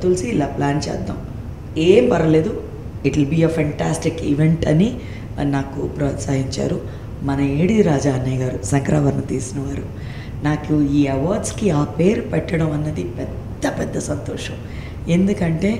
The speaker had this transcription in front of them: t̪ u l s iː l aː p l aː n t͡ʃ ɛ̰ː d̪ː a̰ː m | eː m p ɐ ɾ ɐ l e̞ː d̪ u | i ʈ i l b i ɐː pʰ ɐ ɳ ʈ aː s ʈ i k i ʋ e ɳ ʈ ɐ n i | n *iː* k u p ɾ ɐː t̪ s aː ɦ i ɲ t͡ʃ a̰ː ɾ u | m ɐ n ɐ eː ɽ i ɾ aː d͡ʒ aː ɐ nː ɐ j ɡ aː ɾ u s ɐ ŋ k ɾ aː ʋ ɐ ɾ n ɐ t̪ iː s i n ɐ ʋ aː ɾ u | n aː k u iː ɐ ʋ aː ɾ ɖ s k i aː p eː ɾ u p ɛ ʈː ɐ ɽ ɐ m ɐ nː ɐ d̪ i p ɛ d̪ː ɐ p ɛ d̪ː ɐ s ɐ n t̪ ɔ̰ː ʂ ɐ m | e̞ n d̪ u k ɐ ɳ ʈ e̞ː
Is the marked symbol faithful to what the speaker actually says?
no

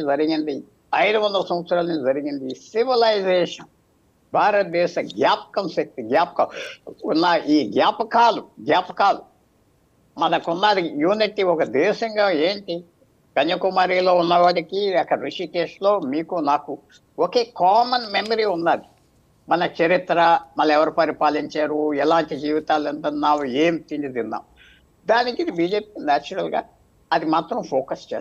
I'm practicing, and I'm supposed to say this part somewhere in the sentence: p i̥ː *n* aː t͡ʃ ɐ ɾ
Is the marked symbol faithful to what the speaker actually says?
yes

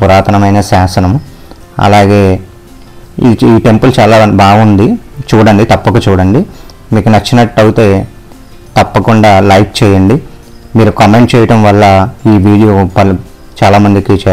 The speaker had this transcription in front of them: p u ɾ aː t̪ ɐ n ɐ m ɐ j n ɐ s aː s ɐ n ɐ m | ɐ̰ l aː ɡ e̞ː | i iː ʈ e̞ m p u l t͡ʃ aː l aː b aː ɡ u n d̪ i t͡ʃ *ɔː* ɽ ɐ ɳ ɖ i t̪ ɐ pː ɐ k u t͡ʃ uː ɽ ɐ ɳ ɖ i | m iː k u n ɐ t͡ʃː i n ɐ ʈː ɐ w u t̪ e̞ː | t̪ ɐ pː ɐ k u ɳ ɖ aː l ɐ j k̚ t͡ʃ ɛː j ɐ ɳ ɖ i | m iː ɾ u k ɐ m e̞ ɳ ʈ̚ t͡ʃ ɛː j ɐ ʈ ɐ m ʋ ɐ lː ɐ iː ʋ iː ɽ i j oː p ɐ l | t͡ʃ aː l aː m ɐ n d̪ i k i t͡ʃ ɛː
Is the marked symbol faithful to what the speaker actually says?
no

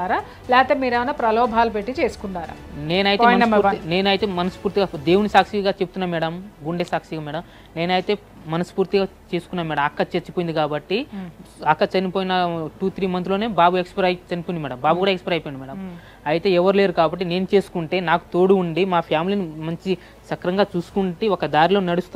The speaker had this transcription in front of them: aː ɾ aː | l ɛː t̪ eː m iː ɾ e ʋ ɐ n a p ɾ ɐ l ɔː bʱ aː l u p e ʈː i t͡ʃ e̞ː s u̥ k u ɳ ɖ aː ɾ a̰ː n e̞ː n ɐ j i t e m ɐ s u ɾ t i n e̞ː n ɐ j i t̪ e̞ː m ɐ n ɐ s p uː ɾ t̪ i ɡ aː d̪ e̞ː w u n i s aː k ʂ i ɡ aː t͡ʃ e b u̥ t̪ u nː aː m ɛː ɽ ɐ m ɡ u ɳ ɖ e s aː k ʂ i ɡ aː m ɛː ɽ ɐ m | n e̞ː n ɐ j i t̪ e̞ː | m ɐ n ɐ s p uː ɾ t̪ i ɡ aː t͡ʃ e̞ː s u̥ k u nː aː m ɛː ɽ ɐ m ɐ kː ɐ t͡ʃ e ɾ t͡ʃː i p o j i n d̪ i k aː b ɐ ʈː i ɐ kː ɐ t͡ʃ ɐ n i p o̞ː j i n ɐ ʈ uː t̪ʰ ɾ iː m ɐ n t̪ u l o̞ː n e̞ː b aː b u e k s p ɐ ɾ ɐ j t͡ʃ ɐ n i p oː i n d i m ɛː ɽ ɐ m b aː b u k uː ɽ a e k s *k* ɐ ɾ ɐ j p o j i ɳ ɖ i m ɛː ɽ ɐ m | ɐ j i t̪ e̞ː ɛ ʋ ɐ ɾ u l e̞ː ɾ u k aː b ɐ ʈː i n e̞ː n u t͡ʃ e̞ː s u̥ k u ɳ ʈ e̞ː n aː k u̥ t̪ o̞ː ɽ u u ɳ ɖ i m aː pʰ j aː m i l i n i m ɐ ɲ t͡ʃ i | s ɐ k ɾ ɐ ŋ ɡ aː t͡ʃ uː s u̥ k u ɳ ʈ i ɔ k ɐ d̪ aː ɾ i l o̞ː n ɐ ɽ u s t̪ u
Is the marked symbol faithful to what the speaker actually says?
no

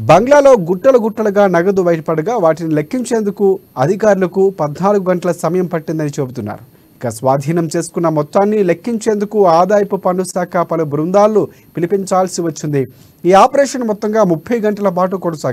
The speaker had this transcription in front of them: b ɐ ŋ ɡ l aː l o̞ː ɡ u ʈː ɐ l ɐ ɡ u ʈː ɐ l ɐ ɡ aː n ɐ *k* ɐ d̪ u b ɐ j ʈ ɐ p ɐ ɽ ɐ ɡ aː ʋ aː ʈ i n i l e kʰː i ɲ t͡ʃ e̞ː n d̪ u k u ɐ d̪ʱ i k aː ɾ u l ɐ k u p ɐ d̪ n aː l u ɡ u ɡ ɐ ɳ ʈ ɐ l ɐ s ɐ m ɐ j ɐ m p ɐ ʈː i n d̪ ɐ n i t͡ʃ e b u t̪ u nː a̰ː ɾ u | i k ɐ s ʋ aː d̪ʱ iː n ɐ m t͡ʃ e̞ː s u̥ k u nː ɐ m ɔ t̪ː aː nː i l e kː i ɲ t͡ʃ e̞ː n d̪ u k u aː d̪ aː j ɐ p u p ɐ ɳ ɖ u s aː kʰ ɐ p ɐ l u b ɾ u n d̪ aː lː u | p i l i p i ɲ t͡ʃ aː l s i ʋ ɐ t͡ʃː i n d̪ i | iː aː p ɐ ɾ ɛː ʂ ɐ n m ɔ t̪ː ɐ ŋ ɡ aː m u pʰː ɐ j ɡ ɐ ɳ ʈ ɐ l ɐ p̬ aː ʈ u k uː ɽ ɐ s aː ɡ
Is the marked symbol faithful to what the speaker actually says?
no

